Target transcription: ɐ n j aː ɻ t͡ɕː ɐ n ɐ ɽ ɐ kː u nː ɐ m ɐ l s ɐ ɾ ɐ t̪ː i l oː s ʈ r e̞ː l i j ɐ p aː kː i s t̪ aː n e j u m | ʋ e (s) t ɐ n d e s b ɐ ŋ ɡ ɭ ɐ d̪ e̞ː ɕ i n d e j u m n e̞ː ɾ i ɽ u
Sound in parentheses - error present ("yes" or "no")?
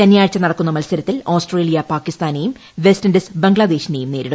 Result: no